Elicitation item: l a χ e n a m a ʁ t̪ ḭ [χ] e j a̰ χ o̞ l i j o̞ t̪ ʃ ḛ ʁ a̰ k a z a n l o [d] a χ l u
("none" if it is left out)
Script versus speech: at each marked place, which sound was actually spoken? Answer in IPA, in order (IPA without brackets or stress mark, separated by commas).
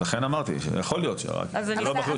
ʃ, b